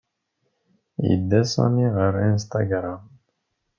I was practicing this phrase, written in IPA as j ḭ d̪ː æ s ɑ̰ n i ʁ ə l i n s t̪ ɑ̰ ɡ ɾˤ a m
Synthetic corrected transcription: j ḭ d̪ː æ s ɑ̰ n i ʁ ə ɾ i n s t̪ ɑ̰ ɡ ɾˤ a m